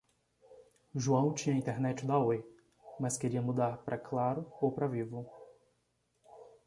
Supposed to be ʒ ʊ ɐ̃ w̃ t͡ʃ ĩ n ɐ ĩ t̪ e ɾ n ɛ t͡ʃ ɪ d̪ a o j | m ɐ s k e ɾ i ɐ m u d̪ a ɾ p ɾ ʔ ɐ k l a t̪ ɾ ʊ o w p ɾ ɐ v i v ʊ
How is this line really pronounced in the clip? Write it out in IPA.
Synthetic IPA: ʒ u ɐ̃ w̃ t͡ʃ ĩ ɲ ɐ ĩ t̪ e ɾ n ɛ t͡ʃ ɪ d̪ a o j | m ɐ s k e ɾ i ɐ m u d̪ a ɾ p ɾ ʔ ɐ k l a ɾ ʊ o w p ɾ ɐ v i v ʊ